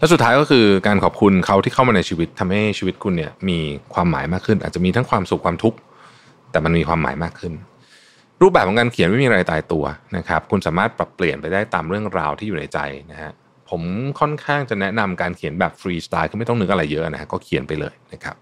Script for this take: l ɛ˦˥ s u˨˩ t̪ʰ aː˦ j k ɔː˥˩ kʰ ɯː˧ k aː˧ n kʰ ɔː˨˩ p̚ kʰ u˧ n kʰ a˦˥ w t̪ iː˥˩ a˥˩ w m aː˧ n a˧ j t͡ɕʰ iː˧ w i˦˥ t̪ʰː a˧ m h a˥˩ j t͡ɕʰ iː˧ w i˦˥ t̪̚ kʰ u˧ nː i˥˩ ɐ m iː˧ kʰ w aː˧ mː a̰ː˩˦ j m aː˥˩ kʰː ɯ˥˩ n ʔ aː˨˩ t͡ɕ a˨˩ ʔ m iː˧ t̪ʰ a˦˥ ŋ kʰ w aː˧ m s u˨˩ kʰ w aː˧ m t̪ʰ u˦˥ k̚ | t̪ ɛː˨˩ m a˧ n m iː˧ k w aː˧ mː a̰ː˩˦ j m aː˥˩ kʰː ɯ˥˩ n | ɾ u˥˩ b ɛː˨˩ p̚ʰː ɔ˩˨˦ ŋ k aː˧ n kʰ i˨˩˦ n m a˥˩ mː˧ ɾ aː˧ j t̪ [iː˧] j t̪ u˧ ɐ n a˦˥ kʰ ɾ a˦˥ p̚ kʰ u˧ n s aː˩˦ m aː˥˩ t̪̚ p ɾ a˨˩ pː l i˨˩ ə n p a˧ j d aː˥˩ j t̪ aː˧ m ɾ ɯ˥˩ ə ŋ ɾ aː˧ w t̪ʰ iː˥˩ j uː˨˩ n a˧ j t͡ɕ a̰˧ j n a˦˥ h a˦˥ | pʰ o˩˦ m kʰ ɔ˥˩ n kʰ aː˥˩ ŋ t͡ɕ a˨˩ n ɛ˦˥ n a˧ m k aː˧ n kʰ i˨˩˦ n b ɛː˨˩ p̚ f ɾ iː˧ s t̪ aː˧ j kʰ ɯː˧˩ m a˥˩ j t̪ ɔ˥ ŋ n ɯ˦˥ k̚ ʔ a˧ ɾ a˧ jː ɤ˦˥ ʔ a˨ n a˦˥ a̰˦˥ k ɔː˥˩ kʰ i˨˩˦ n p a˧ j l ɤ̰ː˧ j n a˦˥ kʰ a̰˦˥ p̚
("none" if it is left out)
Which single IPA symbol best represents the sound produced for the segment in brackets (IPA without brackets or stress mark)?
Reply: aː˧